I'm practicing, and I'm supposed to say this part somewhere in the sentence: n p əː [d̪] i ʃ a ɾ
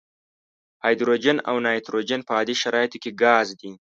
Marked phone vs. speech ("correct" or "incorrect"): correct